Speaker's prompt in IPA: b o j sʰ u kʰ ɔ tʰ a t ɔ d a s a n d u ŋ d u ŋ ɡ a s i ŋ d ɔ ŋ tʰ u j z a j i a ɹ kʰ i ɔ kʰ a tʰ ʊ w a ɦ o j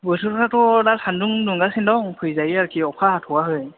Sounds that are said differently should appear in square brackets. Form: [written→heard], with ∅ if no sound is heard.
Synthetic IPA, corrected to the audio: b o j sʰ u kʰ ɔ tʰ a t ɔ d a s a n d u ŋ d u ŋ ɡ a s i [ŋ→n] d ɔ ŋ [tʰ→pʰ] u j z a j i a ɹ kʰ i ɔ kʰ a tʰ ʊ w a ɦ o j